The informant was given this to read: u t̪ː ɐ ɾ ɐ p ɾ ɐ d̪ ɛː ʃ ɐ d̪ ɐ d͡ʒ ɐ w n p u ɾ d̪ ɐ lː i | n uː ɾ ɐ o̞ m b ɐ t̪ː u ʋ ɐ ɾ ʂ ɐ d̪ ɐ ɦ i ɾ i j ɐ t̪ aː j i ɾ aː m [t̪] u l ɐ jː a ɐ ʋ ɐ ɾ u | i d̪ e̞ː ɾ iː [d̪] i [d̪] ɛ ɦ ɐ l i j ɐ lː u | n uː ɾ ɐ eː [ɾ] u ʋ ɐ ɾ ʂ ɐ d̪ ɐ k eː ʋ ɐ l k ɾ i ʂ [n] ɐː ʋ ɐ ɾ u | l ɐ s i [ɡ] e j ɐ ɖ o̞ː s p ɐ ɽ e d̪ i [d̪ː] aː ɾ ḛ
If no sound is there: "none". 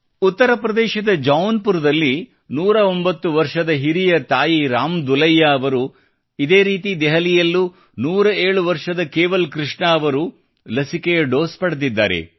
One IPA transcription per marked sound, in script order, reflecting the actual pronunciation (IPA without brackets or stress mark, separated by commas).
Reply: d̪, t̪, d̪, ɭ, ɳ, k, d̪ː